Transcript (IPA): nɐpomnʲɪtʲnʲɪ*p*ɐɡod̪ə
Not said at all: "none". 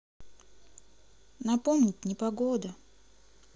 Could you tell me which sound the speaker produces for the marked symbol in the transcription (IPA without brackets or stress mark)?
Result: p